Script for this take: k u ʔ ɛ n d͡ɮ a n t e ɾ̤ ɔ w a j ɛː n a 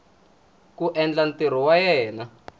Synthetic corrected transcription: k u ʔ ɛ n d͡ɮ a n t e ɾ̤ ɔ w a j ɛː n a